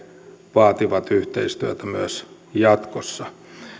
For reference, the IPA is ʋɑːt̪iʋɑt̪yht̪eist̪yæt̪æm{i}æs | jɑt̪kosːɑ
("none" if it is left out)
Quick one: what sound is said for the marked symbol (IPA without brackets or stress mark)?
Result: y